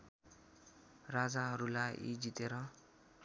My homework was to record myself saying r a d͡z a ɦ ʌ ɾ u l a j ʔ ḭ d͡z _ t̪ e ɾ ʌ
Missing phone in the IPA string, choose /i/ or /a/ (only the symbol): i